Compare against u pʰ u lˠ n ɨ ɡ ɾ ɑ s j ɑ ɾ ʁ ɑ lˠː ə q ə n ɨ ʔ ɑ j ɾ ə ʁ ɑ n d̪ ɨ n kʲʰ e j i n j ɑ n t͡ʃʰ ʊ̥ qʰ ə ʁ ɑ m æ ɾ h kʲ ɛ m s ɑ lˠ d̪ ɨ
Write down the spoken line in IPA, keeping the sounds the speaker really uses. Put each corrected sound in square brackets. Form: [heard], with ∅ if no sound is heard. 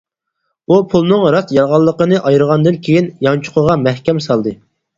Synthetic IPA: u pʰ u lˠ n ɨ [ŋ] ɾ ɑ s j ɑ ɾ ʁ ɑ lˠː ə q ə n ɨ ʔ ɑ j ɾ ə ʁ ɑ n d̪ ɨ n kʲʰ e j i n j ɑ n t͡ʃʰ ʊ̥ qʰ ə ʁ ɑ m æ [∅] h kʲ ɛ m s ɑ lˠ d̪ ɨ